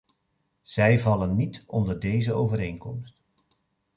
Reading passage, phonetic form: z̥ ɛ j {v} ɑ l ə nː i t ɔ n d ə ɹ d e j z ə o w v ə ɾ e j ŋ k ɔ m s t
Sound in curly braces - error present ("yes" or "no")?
no